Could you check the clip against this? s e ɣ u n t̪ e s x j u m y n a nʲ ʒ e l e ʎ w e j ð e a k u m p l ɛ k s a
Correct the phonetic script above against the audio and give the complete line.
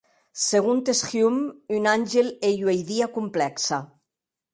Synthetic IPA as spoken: s e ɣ u n t̪ e s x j u m y n a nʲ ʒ e l e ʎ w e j ð i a k u m p l ɛ k s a